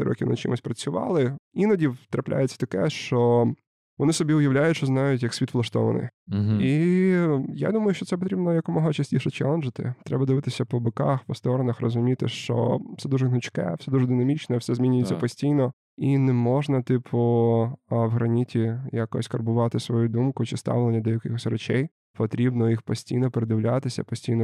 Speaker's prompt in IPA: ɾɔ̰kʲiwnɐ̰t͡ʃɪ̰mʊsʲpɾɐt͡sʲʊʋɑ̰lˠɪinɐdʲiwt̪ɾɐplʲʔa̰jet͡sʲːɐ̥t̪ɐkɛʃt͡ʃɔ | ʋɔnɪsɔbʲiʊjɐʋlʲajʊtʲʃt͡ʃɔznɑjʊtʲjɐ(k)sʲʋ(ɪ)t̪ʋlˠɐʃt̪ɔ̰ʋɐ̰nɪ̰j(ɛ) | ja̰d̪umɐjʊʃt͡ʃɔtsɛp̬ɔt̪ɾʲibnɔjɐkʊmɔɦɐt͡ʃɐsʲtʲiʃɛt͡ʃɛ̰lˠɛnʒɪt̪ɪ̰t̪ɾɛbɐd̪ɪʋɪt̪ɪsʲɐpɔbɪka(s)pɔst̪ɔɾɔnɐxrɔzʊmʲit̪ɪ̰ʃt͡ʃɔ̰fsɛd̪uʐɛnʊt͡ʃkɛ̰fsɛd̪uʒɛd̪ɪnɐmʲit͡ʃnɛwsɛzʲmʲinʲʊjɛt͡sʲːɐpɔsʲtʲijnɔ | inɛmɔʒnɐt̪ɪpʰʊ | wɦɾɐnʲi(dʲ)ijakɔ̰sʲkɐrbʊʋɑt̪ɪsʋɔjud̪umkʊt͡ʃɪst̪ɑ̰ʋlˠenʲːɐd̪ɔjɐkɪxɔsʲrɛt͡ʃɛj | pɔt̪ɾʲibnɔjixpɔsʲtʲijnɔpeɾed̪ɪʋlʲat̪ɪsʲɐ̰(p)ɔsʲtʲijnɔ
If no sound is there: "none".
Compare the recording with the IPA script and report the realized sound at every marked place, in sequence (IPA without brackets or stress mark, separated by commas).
k, i, i, x, tʲ, p